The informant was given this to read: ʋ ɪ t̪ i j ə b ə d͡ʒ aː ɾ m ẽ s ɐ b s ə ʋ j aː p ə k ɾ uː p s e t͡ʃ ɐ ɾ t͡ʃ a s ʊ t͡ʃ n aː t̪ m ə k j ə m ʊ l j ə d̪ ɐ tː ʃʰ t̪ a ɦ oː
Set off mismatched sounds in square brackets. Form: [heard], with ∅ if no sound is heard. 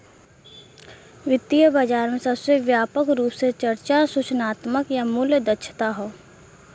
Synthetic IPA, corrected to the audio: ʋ ɪ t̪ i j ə b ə d͡ʒ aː ɾ m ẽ s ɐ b s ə ʋ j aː p ə k ɾ uː p s e t͡ʃ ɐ ɾ t͡ʃ a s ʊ t͡ʃ n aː t̪ m ə k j [a] m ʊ l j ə d̪ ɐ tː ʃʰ t̪ a ɦ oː